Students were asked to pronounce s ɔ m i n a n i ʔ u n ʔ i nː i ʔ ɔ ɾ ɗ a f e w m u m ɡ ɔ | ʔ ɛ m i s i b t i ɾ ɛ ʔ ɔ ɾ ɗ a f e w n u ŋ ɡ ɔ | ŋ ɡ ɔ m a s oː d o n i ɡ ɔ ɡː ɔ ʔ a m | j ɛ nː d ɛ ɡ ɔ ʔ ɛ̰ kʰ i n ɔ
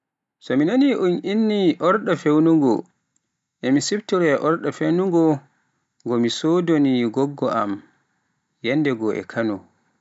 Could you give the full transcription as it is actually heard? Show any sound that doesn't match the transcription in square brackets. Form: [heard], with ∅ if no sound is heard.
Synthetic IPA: s ɔ m i n a n i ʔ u n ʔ i nː i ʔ ɔ ɾ ɗ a f e w [n] u [ŋ] ɡ ɔ | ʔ ɛ m i s i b t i ɾ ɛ ʔ ɔ ɾ ɗ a f e w n u ŋ ɡ ɔ | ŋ ɡ ɔ m [i] s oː d o n i ɡ ɔ ɡː ɔ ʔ a m | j ɛ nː d ɛ ɡ ɔ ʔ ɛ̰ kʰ [a] n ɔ

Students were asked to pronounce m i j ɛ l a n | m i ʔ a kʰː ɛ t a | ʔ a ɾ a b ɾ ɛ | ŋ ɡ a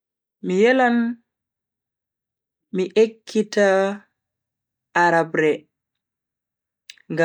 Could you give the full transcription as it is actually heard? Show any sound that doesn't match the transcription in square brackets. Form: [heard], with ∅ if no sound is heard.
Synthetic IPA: m i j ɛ l a n | m i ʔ [e] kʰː [i] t a | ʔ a ɾ a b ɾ ɛ | ŋ ɡ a

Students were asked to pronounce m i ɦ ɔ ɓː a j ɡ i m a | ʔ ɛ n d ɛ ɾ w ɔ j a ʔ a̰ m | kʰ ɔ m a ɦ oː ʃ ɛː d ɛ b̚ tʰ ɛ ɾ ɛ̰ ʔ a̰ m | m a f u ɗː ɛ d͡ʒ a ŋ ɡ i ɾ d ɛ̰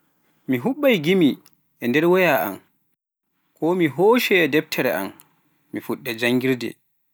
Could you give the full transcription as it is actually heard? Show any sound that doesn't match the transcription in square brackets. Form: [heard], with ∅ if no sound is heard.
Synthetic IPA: m i ɦ [u] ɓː a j ɡ i m [i] | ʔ ɛ n d ɛ ɾ w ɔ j a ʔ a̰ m | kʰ ɔ m [i] ɦ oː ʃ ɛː d ɛ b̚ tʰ ɛ ɾ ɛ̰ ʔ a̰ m | m [i] f u ɗː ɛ d͡ʒ a ŋ ɡ i ɾ d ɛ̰

